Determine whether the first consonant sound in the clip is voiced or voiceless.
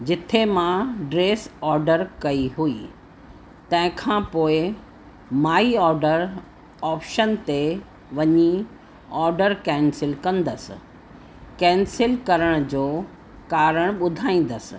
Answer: voiced